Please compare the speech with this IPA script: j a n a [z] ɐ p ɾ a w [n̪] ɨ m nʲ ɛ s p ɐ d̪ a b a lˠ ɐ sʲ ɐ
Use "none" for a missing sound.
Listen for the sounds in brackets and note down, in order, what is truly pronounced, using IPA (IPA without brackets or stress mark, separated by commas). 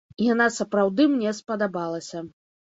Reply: s, d̪